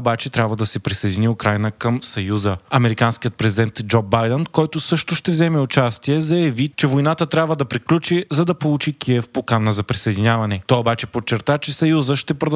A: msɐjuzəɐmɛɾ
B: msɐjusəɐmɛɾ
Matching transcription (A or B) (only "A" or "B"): A